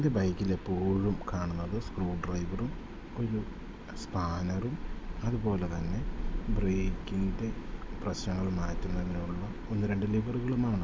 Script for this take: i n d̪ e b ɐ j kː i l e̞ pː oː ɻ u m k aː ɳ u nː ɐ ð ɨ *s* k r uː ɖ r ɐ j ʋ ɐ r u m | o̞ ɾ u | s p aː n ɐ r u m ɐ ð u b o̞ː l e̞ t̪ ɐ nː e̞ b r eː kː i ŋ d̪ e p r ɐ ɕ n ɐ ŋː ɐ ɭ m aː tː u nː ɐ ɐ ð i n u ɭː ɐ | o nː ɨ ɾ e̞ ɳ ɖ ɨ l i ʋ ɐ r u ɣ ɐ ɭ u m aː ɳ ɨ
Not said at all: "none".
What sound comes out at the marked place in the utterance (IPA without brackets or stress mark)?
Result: s